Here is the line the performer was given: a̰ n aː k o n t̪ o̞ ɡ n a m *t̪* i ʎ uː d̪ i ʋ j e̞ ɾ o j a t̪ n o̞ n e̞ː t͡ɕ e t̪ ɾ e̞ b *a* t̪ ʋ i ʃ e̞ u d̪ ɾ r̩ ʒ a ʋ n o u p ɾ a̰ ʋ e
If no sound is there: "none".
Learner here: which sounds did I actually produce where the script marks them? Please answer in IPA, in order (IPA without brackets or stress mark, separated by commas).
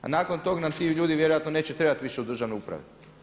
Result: t̪, a